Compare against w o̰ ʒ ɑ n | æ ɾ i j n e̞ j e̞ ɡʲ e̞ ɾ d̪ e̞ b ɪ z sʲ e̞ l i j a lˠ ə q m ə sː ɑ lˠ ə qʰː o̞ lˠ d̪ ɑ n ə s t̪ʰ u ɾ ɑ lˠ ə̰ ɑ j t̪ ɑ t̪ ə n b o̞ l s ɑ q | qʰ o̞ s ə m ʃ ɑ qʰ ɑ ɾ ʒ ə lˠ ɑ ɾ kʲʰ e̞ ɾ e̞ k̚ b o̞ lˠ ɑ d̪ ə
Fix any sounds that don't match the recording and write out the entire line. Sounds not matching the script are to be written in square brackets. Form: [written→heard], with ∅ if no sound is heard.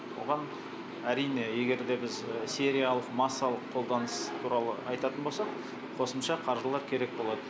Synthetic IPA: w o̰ [ʒ→ʁ] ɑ n | æ ɾ i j n e̞ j e̞ ɡʲ e̞ ɾ d̪ e̞ b ɪ z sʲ e̞ [l→ɾ] i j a lˠ ə q m [ə→ɑ] sː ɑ lˠ ə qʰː o̞ lˠ d̪ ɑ n ə s t̪ʰ u ɾ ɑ lˠ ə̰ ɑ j t̪ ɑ t̪ ə n b o̞ l s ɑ q | qʰ o̞ s ə m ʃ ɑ qʰ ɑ ɾ ʒ ə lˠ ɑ ɾ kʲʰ e̞ ɾ e̞ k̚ b o̞ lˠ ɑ d̪ ə